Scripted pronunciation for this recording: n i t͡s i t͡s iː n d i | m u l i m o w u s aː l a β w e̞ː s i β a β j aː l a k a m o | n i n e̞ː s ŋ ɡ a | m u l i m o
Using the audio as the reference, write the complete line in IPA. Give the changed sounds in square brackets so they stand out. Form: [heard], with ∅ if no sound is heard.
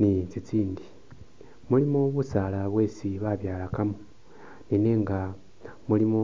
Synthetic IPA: n i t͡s i t͡s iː n d i | m u l i m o [β] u s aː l a β w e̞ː s i β a β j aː l a k a m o | n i n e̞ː [∅] ŋ ɡ a | m u l i m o